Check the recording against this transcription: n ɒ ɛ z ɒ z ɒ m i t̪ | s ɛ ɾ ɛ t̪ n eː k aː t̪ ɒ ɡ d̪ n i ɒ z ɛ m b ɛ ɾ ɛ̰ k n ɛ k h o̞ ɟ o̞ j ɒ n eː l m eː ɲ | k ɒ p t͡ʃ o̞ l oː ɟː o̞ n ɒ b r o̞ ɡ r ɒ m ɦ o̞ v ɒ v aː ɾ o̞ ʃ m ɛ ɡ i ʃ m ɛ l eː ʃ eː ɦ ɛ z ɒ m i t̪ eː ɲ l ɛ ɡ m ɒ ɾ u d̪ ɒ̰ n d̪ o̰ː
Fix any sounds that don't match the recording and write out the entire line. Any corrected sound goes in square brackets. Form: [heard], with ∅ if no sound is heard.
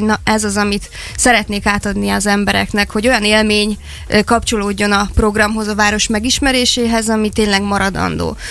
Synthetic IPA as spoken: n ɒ ɛ z ɒ z ɒ m i t̪ | s ɛ ɾ ɛ t̪ n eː k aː t̪ ɒ [∅] d̪ n i ɒ z ɛ m b ɛ ɾ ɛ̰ k n ɛ k h o̞ ɟ o̞ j ɒ n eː l m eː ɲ | k ɒ p t͡ʃ o̞ l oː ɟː o̞ n ɒ [p] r o̞ ɡ r ɒ m ɦ o̞ [z] ɒ v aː ɾ o̞ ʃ m ɛ ɡ i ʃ m ɛ [ɾ] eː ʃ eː ɦ ɛ z ɒ m i t̪ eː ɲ l ɛ ɡ m ɒ ɾ [ɒ] d̪ ɒ̰ n d̪ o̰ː